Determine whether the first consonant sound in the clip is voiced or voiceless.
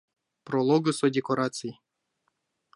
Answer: voiceless